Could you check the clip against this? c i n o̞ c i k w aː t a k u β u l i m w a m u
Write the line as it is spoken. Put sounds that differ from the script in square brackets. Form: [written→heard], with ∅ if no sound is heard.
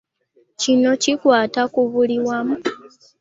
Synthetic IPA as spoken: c i n o̞ c i k w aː t a k u β u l i [m→∅] w a m u